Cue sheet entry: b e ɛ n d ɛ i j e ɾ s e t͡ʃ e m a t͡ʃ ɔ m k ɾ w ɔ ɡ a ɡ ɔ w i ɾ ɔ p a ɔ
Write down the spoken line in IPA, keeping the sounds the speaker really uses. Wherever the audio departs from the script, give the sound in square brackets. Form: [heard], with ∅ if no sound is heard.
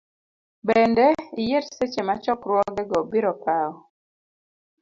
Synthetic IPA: b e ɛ n d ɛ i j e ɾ s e t͡ʃ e m a t͡ʃ ɔ [∅] k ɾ w ɔ ɡ [ɛ] ɡ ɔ [b] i ɾ ɔ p a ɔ